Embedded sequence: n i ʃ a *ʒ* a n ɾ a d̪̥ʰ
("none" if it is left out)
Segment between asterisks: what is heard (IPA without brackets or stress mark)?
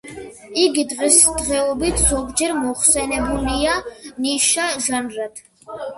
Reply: ʒ